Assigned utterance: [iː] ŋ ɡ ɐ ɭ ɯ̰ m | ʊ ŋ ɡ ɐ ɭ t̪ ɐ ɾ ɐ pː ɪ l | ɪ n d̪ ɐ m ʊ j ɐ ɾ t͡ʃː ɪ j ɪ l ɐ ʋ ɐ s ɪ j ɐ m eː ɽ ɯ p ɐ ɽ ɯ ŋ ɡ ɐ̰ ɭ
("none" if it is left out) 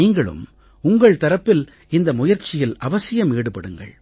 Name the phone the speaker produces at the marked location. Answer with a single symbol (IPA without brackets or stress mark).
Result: iː